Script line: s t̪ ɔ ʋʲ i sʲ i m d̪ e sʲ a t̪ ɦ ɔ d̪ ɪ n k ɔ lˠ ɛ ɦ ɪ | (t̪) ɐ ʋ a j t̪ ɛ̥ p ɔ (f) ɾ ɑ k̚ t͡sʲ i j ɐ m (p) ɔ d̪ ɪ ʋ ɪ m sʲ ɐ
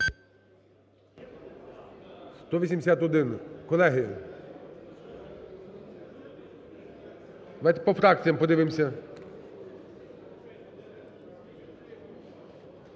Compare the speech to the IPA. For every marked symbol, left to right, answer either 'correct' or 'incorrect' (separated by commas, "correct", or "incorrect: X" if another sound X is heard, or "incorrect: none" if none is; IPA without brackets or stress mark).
incorrect: d̪, correct, correct